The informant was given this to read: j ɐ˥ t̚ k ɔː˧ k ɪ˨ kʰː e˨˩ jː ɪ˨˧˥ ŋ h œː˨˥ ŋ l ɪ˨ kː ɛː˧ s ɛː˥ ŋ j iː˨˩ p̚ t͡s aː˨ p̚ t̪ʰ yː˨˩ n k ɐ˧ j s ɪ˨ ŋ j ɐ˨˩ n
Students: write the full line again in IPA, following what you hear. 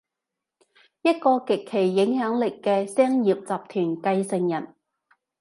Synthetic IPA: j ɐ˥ t̚ k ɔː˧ k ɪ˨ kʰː e˨˩ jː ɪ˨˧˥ ŋ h œː˨˥ ŋ l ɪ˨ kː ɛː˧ s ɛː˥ ŋ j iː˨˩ p̚ t͡s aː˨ p̚ t̪ʰ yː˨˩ n k ɐ˧ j s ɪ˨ ŋ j ɐ˨˩ n